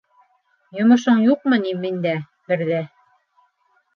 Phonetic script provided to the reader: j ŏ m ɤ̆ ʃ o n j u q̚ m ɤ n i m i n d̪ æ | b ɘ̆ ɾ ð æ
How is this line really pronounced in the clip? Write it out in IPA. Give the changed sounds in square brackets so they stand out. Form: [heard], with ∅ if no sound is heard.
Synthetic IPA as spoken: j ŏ m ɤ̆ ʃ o [ɴ] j u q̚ m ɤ n i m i n d̪ æ | b ɘ̆ ɾ ð æ